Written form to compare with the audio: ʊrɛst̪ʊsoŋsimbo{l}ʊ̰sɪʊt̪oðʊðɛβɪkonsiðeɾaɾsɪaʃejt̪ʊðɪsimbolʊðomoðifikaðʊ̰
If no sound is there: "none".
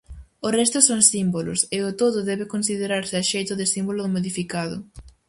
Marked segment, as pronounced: l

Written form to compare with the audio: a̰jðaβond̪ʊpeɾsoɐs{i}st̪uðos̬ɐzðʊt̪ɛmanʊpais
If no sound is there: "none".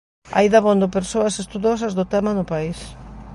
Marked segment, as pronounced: e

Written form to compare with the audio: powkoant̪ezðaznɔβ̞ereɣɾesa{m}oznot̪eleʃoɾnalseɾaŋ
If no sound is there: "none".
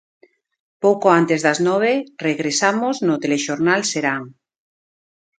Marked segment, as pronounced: m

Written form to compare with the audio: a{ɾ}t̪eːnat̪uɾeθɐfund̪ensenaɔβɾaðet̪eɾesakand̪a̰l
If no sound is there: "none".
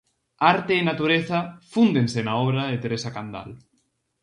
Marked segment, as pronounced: ɾ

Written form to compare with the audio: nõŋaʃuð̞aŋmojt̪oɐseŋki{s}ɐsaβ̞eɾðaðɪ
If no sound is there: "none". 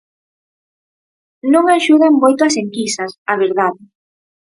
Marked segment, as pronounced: s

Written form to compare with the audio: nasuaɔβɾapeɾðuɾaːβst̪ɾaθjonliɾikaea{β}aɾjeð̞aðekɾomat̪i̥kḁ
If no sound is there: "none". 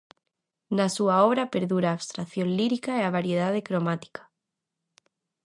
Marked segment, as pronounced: β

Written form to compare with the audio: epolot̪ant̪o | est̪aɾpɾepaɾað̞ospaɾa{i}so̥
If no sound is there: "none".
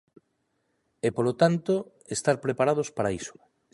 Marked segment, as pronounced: i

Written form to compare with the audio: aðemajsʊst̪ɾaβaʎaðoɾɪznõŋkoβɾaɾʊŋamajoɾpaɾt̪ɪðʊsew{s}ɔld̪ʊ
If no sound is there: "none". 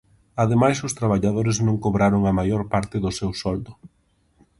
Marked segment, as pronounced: s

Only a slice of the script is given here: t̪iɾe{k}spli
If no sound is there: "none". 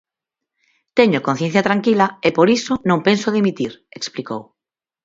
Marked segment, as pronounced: k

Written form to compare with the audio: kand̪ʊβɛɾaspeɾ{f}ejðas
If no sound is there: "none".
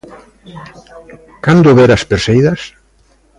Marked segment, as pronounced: s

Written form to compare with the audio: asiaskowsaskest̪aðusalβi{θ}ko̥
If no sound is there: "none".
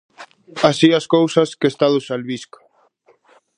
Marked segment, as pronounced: s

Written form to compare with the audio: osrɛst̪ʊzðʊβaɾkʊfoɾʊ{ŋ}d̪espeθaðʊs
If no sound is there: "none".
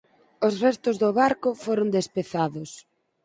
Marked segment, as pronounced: n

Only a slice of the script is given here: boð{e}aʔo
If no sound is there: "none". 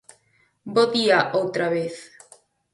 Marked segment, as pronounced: i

